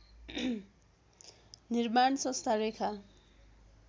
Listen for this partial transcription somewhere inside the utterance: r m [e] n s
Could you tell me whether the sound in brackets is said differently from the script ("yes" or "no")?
yes